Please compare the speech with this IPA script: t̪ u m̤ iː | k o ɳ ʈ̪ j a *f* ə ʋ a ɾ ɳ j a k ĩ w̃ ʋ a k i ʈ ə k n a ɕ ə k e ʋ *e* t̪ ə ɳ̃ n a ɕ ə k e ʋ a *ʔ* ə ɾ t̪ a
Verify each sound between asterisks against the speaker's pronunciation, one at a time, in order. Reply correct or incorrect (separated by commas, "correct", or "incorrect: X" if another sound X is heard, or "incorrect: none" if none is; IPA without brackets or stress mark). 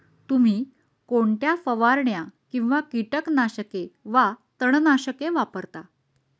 correct, incorrect: a, incorrect: p